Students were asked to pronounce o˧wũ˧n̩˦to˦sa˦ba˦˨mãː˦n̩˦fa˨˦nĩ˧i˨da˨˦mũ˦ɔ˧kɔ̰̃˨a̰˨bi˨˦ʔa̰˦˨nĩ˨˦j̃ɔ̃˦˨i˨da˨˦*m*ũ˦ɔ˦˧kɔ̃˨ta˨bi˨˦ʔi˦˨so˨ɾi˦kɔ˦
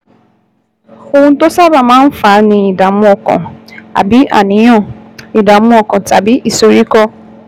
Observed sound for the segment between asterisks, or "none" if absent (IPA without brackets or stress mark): m